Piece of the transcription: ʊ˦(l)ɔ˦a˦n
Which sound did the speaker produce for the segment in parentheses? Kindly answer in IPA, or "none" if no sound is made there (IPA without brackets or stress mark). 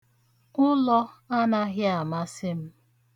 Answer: l